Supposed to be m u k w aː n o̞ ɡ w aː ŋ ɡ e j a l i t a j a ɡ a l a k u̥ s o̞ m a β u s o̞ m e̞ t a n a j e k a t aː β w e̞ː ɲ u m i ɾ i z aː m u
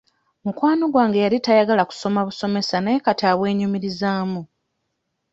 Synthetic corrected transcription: m u k w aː n o̞ ɡ w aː ŋ ɡ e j a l i t a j a ɡ a l a k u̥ s o̞ m a β u s o̞ m e̞ s a n a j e k a t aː β w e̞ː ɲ u m i ɾ i z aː m u